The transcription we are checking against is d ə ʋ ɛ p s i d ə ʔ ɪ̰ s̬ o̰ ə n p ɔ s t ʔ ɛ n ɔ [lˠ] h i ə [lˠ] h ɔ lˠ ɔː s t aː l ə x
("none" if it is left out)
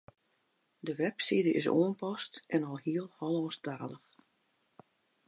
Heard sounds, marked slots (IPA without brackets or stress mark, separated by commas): lˠ, lˠ